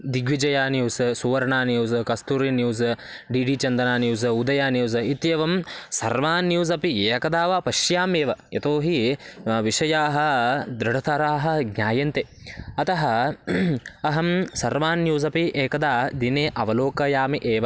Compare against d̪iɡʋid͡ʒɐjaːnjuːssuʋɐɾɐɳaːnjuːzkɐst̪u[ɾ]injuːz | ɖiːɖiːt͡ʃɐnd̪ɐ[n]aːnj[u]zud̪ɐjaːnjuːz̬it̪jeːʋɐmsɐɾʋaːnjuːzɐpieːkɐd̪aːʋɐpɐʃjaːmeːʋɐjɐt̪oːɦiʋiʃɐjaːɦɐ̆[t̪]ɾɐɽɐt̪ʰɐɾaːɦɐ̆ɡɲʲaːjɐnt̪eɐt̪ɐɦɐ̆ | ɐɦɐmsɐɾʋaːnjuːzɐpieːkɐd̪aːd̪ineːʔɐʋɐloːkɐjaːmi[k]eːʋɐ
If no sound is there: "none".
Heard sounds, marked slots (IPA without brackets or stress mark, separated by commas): ɾ, n, uː, d̪, ʔ